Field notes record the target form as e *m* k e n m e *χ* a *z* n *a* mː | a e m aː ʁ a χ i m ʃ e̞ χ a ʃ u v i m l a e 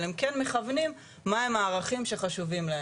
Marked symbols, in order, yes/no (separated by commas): yes, yes, no, no